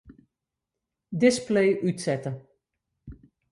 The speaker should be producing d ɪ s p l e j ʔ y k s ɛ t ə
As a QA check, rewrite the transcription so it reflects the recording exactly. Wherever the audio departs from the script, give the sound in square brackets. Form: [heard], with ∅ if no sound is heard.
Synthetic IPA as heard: d ɪ s p l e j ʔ y [t] s ɛ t ə